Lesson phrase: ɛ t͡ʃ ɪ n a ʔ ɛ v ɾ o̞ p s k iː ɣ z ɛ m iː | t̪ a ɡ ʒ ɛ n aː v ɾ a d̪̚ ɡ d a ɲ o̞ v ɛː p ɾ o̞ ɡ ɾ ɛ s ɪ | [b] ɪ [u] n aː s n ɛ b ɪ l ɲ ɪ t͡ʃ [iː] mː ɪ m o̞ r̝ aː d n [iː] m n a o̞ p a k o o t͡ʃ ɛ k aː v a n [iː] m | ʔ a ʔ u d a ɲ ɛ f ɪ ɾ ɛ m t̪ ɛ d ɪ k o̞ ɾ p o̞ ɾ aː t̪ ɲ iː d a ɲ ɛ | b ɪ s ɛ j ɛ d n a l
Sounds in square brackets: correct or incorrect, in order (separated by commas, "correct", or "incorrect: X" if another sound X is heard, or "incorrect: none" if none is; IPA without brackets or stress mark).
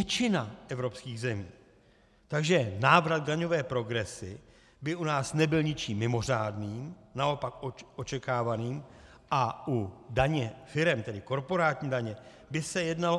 correct, correct, correct, correct, correct